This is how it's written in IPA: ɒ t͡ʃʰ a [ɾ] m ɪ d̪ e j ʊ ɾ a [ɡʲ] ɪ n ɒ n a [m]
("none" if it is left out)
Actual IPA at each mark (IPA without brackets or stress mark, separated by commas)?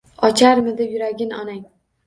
ɾ, ɡʲ, ŋ